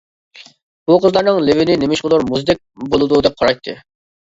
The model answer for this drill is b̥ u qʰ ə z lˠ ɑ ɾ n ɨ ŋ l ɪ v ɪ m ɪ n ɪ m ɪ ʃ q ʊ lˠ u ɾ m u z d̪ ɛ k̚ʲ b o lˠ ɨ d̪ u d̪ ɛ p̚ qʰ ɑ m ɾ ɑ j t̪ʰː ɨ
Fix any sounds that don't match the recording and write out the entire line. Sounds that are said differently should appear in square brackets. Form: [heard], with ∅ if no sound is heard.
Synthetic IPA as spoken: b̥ u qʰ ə z lˠ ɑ ɾ n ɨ ŋ l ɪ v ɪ [n] ɪ n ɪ m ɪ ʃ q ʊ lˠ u ɾ m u z d̪ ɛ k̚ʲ b o lˠ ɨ d̪ u d̪ ɛ p̚ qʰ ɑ [∅] ɾ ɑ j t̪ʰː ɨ